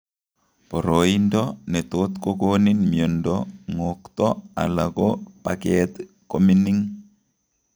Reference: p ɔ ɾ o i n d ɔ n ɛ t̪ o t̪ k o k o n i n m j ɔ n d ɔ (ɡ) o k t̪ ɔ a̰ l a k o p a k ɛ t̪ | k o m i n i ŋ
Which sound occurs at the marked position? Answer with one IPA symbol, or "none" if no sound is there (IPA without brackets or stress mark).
ŋ